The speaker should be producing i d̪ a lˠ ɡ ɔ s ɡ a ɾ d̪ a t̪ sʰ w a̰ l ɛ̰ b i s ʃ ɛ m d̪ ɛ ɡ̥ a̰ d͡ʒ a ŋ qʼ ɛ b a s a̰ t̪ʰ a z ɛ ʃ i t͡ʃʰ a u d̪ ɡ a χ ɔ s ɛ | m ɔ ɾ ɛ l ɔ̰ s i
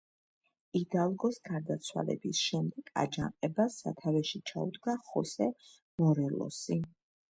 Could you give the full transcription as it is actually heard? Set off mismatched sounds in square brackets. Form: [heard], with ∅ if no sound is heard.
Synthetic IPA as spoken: i d̪ a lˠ ɡ ɔ s ɡ a ɾ d̪ a t̪ sʰ w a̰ l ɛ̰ b i s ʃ ɛ m d̪ ɛ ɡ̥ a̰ d͡ʒ a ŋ qʼ ɛ b a s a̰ t̪ʰ a [v] ɛ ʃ i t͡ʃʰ a u d̪ ɡ a χ ɔ s ɛ | m ɔ ɾ ɛ l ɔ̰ s i